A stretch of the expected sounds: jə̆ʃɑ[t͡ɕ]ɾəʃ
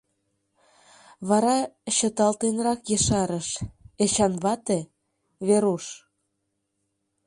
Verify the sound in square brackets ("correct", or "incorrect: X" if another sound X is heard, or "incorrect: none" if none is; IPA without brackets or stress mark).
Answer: incorrect: none